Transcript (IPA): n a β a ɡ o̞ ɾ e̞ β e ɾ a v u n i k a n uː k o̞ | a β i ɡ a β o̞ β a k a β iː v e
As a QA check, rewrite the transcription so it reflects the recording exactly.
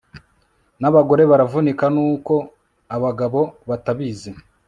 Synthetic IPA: n a β a ɡ o̞ ɾ e̞ β a ɾ a v u n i k a n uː k o̞ | a β a ɡ a β o̞ β a t a β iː z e